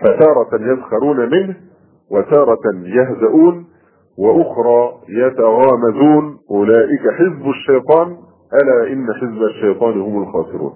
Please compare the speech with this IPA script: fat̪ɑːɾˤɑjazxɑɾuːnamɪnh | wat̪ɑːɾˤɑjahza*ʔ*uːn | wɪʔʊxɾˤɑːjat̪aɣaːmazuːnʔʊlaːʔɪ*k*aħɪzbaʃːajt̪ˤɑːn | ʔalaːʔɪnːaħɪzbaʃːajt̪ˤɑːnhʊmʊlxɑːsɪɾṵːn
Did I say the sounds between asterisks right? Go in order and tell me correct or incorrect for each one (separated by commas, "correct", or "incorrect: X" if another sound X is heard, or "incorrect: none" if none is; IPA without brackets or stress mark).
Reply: correct, correct